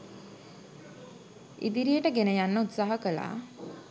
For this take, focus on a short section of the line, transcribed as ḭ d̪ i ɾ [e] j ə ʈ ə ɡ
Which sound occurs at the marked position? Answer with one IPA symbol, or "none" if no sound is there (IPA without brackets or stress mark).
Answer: i